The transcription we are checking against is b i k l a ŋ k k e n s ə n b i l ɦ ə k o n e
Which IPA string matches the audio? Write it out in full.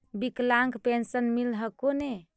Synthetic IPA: b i k l a ŋ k p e n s ə n m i l ɦ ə k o n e

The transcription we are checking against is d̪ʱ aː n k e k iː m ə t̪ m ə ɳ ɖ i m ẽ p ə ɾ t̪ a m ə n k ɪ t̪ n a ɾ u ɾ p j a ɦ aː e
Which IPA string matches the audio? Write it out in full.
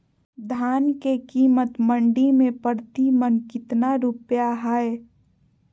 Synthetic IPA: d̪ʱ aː n k e k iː m ə t̪ m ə ɳ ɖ i m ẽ p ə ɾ t̪ i m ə n k ɪ t̪ n a ɾ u p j a ɦ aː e

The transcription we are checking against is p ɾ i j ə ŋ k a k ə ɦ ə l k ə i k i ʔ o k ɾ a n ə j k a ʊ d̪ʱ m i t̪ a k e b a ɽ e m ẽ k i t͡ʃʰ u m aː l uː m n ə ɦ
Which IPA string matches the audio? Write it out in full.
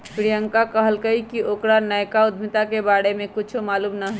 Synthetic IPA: p ɾ i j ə ŋ k a k ə ɦ ə l k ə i k i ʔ o k ɾ a n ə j k a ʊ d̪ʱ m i t̪ a k e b a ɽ e m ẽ k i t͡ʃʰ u m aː l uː m n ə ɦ

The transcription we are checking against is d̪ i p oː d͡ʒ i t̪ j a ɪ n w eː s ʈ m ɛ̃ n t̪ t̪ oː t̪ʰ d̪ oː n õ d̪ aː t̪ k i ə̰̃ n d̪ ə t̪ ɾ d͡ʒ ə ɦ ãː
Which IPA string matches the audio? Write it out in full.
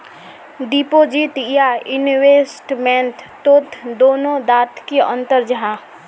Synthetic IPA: d̪ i p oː d͡ʒ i t̪ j a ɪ n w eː s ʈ m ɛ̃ n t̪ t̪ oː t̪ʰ d̪ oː n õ d̪ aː t̪ k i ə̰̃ n t̪ ə ɾ d͡ʒ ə ɦ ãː

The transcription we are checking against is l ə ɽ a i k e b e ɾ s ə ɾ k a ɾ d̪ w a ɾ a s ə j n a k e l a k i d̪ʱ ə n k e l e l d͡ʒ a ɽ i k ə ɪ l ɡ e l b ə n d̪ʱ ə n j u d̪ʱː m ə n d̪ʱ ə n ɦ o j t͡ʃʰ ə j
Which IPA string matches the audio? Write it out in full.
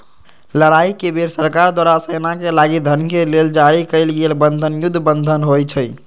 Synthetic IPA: l ə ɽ a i k e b e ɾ s ə ɾ k a ɾ d̪ w a ɾ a s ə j n a k e l a ɡ i d̪ʱ ə n k e l e l d͡ʒ a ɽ i k ə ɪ l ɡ e l b ə n d̪ʱ ə n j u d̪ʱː b ə n d̪ʱ ə n ɦ o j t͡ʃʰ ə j

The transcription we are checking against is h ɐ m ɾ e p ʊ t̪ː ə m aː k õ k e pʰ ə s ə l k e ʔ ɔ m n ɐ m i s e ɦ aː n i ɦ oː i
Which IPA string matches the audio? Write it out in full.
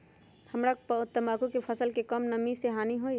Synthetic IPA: h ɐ m ɾ a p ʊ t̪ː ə m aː k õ k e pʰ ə s ə l k e k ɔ m n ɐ m i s e ɦ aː n i ɦ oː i

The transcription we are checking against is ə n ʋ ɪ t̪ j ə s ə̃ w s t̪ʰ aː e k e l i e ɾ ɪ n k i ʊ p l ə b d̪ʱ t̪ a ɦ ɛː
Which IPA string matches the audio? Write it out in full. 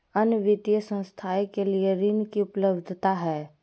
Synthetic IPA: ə n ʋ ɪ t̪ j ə s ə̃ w s t̪ʰ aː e k e l i e ɾ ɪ n k i ʊ p l ə b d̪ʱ t̪ a ɦ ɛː

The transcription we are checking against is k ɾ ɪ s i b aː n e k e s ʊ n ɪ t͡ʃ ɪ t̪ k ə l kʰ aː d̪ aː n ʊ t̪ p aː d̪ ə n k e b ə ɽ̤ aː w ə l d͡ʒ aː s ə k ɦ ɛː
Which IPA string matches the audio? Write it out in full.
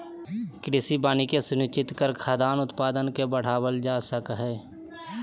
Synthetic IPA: k ɾ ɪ s i b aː n i k e s ʊ n ɪ t͡ʃ ɪ t̪ k ə ɾ kʰ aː d̪ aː n ʊ t̪ p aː d̪ ə n k e b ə ɽ̤ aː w ə l d͡ʒ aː s ə k ɦ ɛː

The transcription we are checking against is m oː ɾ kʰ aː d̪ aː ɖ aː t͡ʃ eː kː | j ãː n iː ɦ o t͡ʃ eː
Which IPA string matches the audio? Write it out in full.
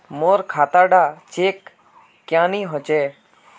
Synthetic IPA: m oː ɾ kʰ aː t̪ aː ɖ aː t͡ʃ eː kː | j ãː n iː ɦ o t͡ʃ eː

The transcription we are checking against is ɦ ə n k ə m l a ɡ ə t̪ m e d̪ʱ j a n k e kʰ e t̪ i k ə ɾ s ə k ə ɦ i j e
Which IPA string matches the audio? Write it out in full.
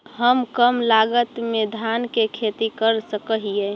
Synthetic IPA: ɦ ə m k ə m l a ɡ ə t̪ m e d̪ʱ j a n k e kʰ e t̪ i k ə ɾ s ə k ə ɦ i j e

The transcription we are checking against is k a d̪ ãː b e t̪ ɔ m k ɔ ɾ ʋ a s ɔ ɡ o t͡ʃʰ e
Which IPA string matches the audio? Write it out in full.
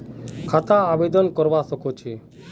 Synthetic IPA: kʰ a t̪ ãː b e d̪ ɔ n k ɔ ɾ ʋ a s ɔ k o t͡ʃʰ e

